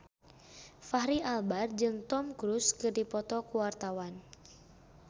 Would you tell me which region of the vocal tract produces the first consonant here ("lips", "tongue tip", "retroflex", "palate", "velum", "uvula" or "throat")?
lips